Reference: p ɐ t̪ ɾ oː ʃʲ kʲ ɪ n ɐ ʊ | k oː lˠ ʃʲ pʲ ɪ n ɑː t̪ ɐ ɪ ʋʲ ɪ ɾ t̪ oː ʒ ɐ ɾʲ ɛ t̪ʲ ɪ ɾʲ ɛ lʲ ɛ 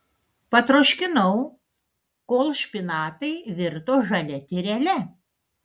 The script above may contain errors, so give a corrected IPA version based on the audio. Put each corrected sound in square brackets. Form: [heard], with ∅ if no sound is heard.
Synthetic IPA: p ɐ t̪ ɾ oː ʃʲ kʲ ɪ n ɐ ʊ | k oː lˠ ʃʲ pʲ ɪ n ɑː t̪ ɐ ɪ ʋʲ ɪ ɾ t̪ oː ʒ ɐ [lʲ] ɛ t̪ʲ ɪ ɾʲ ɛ lʲ ɛ